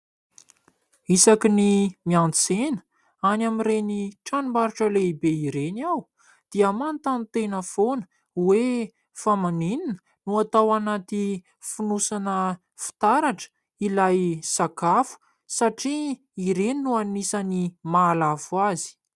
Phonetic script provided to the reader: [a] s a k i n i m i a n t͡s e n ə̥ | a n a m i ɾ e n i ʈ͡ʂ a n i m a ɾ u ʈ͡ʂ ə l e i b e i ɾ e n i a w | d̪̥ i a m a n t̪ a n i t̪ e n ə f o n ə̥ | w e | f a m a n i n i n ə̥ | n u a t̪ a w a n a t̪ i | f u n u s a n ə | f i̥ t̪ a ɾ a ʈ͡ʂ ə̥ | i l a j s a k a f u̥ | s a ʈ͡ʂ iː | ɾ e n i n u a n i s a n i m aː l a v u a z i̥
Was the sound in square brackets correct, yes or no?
no